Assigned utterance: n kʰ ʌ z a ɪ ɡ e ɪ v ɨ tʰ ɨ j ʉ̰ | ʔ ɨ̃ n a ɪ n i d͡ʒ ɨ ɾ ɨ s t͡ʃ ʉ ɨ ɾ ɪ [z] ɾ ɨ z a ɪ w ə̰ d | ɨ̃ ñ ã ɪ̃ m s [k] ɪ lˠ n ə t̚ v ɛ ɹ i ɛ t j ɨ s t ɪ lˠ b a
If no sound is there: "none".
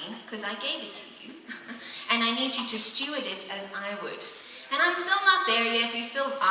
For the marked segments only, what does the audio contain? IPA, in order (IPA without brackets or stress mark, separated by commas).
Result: none, t